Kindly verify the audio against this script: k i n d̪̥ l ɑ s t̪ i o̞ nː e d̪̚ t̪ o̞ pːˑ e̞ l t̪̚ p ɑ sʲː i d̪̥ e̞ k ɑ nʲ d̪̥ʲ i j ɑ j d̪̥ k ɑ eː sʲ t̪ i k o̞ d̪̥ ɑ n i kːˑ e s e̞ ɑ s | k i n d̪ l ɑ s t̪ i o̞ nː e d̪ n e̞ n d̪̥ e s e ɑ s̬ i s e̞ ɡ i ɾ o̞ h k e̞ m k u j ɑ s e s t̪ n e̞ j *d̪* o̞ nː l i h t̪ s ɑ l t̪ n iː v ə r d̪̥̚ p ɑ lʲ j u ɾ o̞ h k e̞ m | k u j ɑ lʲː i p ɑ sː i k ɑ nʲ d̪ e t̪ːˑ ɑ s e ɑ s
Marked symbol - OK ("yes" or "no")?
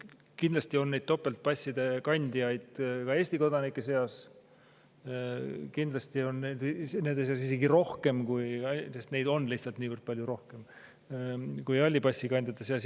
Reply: yes